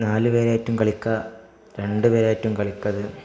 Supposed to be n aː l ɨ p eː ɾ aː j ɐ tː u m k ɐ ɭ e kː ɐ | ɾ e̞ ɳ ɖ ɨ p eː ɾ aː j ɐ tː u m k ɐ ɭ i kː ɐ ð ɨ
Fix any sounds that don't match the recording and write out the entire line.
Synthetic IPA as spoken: n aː l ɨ p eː ɾ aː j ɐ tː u m k ɐ ɭ i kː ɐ | ɾ e̞ ɳ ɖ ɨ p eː ɾ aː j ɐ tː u m k ɐ ɭ i kː ɐ ð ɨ